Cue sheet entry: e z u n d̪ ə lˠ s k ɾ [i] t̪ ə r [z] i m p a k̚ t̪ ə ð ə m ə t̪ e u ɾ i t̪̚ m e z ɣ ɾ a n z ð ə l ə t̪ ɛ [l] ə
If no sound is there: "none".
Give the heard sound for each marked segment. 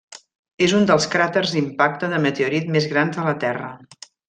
a, z, r

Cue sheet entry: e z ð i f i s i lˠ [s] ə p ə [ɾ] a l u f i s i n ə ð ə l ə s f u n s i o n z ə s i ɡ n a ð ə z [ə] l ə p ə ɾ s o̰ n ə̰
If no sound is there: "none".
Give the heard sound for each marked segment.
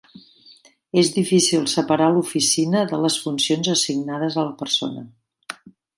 s, ɾ, ə

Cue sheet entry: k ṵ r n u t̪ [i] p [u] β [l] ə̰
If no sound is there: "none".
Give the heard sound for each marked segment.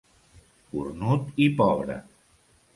i, ɔ, ɾ

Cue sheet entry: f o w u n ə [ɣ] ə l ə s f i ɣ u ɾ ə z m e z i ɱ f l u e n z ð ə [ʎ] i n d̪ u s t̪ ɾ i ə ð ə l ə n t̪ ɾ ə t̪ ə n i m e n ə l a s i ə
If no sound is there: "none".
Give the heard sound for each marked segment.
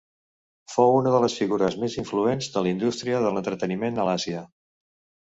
ð, l

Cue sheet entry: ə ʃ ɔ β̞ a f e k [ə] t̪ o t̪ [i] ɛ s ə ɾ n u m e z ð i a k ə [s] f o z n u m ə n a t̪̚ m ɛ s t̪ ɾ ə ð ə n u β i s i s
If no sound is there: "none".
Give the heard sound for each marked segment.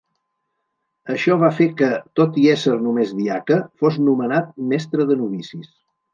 ə, i, none

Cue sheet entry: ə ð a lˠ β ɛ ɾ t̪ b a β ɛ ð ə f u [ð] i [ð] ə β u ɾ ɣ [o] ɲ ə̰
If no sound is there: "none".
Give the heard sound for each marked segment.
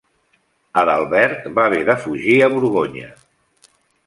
ʒ, none, o

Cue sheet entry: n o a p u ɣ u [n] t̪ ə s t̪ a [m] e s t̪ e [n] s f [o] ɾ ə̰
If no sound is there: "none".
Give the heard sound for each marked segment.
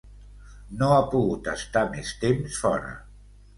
none, m, m, ɔ

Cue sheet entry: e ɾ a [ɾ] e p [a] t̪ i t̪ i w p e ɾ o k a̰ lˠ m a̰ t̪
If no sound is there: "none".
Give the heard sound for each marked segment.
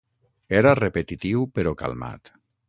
r, e

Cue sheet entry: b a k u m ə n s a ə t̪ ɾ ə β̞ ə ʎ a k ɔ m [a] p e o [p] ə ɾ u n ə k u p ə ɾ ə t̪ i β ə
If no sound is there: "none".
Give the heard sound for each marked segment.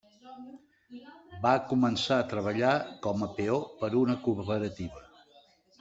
ə, p

